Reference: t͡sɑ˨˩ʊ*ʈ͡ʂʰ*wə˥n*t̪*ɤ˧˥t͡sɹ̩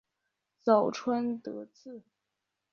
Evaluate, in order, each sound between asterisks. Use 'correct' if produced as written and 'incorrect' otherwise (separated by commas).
correct, correct